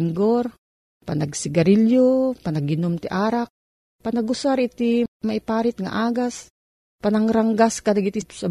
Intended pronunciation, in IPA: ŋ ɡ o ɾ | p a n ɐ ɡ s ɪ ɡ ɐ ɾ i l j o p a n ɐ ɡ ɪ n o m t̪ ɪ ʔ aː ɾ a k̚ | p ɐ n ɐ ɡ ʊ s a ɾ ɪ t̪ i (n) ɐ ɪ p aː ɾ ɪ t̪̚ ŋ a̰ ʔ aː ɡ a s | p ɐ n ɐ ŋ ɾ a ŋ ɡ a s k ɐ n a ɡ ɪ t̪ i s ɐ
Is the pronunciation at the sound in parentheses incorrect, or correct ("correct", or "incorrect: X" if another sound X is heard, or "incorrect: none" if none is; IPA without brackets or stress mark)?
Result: incorrect: m